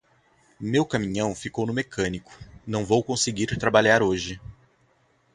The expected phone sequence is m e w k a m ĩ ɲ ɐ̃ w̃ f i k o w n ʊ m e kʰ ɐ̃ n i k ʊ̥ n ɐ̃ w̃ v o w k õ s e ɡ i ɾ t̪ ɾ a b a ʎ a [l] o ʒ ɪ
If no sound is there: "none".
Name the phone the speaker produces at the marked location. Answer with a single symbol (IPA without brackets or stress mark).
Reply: ɾ